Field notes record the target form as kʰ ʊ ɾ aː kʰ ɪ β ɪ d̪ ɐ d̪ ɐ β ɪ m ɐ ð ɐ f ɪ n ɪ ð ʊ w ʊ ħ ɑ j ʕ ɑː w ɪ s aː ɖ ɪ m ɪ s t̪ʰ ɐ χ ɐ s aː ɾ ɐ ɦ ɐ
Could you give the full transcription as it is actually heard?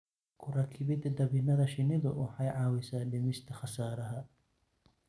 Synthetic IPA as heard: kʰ ʊ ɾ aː kʰ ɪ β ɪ d̪ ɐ d̪ ɐ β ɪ n ɐ ð ɐ ʃ ɪ n ɪ ð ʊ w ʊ ħ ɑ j ʕ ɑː w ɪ s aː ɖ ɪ m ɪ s t̪ʰ ɐ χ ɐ s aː ɾ ɐ ɦ ɐ